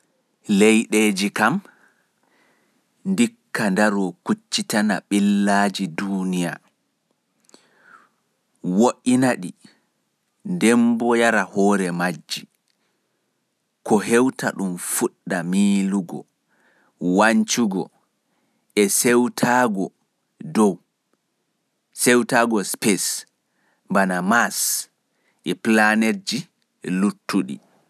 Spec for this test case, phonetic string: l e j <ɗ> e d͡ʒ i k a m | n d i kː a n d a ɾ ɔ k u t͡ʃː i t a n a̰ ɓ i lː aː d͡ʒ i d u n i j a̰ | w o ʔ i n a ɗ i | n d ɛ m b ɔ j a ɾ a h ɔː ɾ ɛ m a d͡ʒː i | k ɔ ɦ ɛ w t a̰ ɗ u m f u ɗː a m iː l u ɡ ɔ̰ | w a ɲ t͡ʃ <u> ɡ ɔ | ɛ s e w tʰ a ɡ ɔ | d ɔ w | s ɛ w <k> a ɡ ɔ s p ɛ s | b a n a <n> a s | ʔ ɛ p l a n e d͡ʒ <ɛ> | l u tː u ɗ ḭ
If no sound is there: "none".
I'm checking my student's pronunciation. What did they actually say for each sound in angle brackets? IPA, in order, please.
ɗ, u, t, m, i

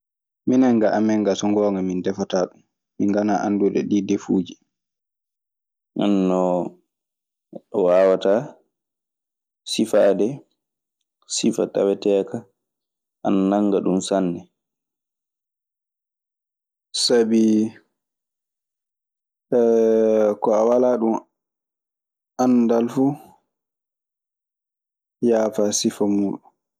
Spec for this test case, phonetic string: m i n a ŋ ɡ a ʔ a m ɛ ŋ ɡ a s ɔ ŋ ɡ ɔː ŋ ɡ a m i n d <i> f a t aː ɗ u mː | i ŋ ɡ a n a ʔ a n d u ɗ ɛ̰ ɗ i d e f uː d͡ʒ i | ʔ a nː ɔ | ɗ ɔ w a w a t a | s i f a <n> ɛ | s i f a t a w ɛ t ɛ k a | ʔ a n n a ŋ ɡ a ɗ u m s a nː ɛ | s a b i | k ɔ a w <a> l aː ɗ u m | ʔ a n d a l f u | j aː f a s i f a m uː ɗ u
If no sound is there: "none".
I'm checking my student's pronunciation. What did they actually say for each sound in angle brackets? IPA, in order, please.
ɛ, d, a

